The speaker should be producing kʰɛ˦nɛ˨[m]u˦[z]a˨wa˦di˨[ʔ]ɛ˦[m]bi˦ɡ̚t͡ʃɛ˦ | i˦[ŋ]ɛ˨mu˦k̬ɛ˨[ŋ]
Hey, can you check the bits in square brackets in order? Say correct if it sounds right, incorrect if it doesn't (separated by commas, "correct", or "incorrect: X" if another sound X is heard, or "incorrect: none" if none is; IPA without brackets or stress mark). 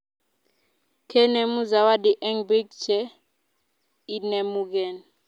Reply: correct, correct, correct, incorrect: ŋ, incorrect: n, incorrect: n